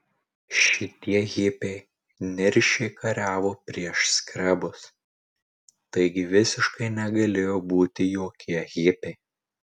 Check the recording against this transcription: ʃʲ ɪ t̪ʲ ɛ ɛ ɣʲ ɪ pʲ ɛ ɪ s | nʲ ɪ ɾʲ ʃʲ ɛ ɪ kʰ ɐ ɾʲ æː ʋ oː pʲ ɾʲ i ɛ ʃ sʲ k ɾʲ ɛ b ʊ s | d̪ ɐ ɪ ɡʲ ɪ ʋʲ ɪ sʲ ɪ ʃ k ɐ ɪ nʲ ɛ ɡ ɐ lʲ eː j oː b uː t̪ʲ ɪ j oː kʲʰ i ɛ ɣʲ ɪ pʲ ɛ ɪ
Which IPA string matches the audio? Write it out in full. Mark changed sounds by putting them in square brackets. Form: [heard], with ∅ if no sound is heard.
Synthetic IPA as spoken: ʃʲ ɪ t̪ʲ [i] ɛ ɣʲ ɪ pʲ ɛ ɪ [∅] | nʲ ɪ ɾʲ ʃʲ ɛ ɪ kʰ ɐ ɾʲ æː ʋ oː pʲ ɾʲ i ɛ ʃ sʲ k ɾʲ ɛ b ʊ s | [t̪] ɐ ɪ ɡʲ ɪ ʋʲ ɪ sʲ ɪ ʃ k ɐ ɪ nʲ ɛ ɡ ɐ lʲ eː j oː b uː t̪ʲ ɪ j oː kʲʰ i ɛ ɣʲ ɪ pʲ ɛ ɪ